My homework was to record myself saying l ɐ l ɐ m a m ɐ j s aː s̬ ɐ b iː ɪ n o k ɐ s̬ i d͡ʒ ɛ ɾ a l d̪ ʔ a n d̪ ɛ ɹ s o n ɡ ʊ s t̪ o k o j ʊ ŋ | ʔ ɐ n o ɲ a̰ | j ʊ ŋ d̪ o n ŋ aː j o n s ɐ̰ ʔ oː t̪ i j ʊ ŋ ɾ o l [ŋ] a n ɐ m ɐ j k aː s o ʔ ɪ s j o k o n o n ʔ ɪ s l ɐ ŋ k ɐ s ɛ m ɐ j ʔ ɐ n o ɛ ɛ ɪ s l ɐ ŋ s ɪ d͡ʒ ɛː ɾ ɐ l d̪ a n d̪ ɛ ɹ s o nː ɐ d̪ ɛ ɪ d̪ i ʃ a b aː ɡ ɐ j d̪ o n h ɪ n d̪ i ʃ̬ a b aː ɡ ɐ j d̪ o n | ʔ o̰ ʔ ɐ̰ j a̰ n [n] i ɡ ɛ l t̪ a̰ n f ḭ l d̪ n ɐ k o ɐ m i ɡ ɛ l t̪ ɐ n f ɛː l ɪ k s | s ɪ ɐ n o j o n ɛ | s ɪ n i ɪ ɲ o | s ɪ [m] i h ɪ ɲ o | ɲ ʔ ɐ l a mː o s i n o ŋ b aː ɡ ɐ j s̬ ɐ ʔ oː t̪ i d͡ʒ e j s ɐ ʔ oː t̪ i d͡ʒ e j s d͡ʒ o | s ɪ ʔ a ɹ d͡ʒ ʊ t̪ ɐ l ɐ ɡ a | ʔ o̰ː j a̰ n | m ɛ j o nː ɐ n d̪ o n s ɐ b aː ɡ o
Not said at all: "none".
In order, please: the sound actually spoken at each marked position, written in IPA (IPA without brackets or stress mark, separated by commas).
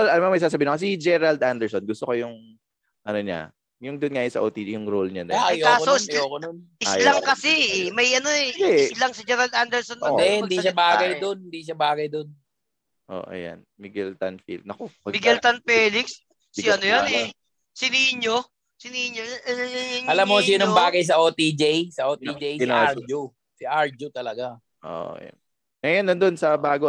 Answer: ɲ, m, n